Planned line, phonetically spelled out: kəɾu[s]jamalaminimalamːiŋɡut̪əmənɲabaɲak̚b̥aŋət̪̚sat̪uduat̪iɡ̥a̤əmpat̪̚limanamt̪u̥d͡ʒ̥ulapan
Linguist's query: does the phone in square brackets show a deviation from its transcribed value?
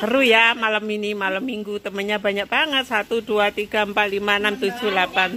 yes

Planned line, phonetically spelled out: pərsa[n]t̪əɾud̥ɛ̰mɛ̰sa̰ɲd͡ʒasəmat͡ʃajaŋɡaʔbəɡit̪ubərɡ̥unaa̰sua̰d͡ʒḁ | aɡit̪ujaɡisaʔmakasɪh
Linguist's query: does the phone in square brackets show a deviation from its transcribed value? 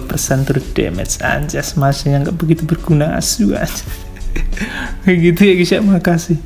no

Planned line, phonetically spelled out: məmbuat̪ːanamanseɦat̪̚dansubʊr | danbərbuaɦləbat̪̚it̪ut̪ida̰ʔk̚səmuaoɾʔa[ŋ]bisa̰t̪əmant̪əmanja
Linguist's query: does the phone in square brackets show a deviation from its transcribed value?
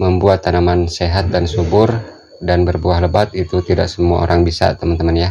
no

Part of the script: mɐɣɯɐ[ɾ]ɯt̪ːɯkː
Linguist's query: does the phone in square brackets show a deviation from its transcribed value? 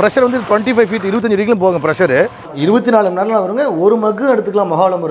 yes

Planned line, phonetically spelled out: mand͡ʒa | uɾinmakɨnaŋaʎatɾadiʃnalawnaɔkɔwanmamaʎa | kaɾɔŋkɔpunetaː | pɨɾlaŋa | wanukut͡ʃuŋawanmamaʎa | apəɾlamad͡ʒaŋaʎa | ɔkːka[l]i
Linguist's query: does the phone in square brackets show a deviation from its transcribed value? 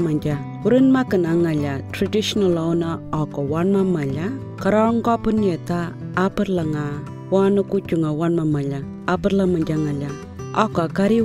yes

